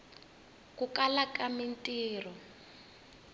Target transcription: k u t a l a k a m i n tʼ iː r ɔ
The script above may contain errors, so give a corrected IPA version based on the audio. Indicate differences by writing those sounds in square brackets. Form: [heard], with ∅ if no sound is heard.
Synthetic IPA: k u [k] a l a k a m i n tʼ iː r ɔ